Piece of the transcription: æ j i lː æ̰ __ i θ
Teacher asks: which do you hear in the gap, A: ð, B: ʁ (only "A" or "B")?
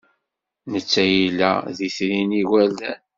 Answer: A